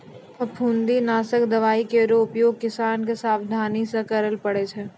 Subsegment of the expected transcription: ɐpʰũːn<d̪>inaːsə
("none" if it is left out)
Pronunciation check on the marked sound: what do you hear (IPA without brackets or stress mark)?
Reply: d̪